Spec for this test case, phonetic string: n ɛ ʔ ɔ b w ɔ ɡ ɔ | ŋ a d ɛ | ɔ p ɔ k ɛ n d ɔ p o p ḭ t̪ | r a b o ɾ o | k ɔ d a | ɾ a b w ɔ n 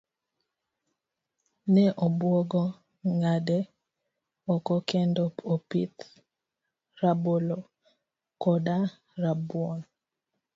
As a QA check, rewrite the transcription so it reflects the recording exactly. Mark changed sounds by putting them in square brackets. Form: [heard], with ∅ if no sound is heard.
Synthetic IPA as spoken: n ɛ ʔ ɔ b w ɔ ɡ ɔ | ŋ a d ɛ | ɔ [k] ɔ k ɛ n d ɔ p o p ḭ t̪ | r a b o [l] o | k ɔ d a | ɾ a b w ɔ n